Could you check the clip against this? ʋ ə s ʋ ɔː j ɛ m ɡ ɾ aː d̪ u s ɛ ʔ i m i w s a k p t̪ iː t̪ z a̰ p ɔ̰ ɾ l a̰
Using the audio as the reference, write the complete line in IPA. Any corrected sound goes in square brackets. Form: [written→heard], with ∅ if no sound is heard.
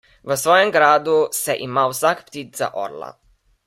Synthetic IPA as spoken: ʋ ə s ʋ ɔː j ɛ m ɡ ɾ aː d̪ u s ɛ ʔ i m [i→a] w s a k p t̪ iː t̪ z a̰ [p→ʔ] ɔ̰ ɾ l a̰